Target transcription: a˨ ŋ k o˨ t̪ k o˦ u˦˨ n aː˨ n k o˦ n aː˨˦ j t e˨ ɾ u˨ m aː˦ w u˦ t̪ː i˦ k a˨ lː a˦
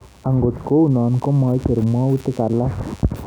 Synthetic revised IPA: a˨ ŋ ɡ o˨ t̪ k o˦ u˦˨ n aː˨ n k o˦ m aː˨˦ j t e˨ ɾ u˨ m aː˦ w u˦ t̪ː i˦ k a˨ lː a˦